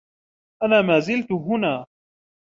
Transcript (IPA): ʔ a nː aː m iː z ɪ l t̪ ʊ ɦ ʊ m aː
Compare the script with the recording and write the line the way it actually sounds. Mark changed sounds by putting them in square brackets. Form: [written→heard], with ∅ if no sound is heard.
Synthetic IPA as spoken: ʔ a [nː→n] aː m [iː→aː] z ɪ l t̪ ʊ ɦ ʊ [m→n] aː